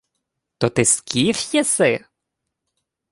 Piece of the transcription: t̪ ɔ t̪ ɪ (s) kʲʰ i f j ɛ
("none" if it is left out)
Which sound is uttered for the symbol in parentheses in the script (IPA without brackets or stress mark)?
s